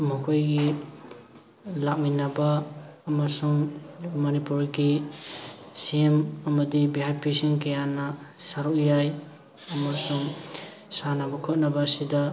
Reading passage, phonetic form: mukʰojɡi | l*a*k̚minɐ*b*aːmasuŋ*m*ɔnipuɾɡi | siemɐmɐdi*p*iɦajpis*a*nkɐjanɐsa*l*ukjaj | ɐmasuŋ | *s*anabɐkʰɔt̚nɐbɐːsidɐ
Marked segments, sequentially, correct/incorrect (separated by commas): correct, correct, correct, incorrect, incorrect, incorrect, correct